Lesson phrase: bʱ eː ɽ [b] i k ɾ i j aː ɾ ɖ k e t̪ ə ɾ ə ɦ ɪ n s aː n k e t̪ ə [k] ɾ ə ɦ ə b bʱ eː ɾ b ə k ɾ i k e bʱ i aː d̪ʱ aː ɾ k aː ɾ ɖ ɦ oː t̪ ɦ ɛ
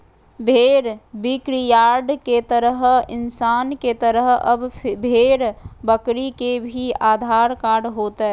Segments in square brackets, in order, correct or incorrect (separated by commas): correct, incorrect